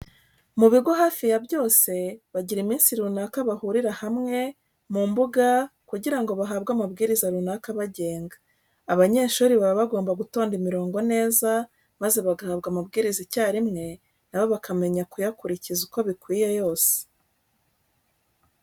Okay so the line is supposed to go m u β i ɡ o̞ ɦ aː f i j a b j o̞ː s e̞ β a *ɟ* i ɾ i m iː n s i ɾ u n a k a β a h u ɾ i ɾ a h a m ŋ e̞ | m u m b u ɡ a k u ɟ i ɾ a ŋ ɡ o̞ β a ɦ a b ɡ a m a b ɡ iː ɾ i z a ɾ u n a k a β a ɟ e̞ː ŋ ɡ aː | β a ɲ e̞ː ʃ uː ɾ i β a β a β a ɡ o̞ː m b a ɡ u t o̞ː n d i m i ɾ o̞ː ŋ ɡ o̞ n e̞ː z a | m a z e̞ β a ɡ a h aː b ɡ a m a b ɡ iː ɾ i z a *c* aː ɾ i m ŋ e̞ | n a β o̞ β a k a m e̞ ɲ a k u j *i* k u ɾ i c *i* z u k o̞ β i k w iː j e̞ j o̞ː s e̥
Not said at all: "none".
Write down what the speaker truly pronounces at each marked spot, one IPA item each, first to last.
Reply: ɟ, c, a, i

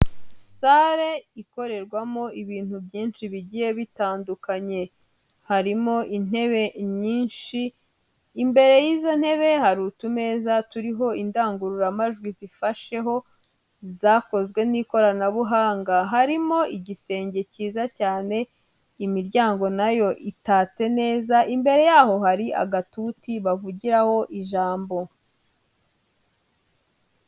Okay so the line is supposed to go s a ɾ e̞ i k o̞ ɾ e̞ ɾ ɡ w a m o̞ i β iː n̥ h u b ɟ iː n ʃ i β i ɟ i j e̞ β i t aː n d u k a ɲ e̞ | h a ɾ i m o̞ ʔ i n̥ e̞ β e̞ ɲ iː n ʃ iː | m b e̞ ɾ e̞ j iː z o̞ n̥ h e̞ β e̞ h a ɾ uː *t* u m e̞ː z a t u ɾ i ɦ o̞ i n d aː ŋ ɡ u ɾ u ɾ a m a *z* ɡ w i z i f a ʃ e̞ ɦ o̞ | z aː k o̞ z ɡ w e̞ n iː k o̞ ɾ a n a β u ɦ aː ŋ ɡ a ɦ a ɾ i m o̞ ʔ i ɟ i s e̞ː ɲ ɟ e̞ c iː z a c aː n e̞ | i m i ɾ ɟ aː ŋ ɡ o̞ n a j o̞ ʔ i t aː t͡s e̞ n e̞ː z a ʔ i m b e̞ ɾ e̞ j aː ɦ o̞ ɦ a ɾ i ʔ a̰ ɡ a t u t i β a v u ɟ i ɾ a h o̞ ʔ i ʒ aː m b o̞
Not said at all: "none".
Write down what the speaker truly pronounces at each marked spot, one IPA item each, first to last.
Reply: t, ʒ

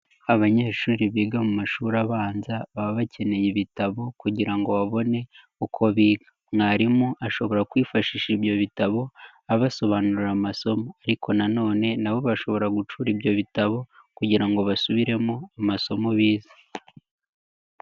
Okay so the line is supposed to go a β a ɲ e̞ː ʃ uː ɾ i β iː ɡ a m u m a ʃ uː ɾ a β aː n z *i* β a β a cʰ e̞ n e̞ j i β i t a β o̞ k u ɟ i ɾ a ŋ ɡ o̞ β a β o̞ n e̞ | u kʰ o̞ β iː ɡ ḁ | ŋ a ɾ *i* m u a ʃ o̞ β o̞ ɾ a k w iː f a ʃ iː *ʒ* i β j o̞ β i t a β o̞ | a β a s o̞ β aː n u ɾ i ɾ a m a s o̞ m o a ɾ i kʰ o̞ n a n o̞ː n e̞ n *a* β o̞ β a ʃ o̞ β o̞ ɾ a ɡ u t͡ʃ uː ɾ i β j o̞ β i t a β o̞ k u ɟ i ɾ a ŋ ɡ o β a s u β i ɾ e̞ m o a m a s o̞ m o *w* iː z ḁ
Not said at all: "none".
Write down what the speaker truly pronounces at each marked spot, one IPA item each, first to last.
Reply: a, i, ʃ, a, β

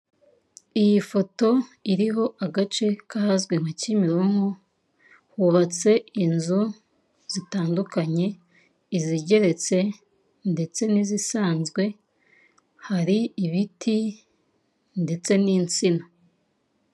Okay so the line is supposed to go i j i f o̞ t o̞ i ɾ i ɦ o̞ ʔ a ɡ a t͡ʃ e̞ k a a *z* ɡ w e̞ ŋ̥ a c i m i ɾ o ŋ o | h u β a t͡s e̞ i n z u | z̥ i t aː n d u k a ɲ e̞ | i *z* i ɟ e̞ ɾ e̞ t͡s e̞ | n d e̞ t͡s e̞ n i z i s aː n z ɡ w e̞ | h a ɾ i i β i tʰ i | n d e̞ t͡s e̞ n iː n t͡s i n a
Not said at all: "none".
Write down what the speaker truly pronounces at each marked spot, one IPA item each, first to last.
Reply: z, z

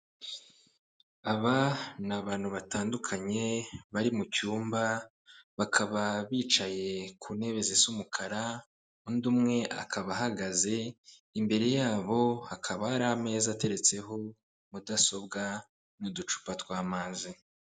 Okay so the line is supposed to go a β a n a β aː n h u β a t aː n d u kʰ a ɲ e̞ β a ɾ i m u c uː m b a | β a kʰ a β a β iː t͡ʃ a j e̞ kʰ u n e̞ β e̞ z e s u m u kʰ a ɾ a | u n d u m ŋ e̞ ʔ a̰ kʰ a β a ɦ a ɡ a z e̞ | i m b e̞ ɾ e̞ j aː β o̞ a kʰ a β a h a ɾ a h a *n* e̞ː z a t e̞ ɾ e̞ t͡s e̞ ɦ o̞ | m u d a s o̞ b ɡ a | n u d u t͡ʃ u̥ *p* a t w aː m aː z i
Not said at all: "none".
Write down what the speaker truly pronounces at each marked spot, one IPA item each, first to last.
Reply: m, p

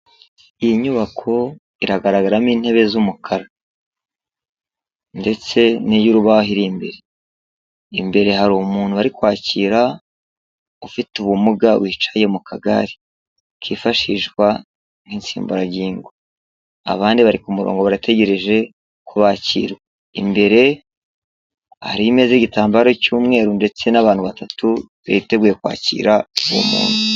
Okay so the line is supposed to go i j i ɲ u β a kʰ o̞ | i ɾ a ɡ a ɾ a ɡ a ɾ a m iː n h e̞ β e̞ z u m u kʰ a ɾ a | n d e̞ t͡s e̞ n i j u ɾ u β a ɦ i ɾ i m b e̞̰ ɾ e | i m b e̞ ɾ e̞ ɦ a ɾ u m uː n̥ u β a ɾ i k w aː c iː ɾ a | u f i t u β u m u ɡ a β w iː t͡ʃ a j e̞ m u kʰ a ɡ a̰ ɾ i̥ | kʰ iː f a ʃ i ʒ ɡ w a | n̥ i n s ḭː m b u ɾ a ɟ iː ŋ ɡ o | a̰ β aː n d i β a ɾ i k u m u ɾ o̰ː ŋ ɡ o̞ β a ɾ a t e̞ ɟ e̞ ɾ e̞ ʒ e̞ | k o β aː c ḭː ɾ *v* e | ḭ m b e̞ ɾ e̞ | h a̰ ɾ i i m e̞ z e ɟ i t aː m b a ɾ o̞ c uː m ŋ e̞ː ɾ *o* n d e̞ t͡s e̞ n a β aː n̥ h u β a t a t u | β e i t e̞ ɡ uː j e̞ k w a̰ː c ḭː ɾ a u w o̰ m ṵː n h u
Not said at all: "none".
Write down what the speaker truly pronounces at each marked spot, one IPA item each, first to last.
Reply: w, u

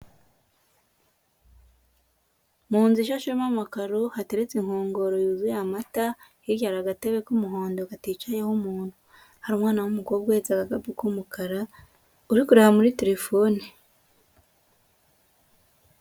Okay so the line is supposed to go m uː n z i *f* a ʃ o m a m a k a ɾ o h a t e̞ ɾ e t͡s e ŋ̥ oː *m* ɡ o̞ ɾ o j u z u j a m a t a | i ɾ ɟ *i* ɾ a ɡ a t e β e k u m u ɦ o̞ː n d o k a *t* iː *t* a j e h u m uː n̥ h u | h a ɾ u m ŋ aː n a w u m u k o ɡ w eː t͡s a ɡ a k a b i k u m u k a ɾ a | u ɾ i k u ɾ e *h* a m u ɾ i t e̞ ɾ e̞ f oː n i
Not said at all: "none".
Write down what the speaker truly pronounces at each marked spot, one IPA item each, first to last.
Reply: ʃ, ŋ, a, t, t͡ʃ, h

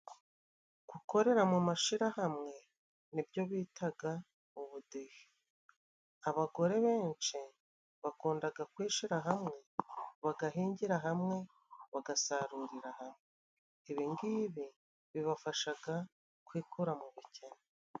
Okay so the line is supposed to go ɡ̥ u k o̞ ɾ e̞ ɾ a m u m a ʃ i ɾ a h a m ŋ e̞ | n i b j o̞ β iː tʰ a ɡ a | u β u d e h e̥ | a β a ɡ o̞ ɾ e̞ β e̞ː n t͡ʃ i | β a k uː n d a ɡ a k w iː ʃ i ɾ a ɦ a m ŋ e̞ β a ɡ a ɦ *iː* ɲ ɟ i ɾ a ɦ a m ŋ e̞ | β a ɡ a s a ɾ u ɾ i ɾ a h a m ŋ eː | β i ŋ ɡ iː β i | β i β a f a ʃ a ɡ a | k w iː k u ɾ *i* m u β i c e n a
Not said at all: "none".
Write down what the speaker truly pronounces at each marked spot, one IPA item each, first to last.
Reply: iː, a

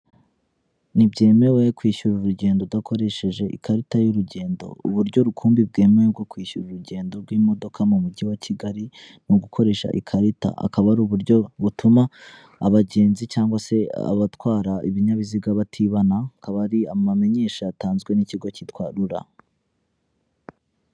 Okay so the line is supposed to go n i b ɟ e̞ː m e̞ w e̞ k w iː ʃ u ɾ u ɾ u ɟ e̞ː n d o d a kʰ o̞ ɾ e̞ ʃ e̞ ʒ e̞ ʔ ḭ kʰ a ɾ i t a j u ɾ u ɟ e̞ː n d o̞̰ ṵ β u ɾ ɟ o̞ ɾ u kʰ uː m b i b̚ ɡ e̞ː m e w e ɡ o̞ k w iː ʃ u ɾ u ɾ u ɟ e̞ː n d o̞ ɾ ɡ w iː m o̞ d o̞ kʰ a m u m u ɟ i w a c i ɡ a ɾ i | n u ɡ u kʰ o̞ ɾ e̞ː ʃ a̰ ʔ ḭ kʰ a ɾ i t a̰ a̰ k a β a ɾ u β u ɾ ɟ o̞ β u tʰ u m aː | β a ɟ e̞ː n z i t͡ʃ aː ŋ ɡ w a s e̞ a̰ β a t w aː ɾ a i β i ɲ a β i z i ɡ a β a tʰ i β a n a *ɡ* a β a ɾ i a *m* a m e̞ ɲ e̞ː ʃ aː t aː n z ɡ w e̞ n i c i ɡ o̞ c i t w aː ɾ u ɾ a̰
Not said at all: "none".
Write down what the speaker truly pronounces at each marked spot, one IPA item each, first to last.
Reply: k, m

